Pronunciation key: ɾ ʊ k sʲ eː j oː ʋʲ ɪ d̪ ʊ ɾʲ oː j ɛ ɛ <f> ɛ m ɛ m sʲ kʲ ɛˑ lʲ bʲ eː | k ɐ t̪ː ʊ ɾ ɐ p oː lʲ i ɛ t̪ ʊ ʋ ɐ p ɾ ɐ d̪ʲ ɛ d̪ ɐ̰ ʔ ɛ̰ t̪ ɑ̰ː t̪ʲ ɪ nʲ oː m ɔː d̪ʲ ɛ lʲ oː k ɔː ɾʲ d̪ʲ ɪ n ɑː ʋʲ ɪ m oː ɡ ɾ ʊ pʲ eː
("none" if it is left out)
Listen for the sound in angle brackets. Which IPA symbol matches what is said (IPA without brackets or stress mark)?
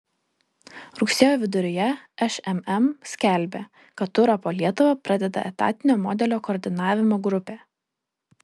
ʃ